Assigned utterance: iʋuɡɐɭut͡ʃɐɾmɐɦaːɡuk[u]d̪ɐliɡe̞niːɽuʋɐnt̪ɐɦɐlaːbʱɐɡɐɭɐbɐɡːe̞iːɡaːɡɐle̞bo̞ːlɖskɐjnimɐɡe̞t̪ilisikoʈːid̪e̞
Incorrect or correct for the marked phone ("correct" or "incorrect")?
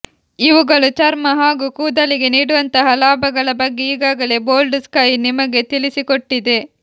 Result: incorrect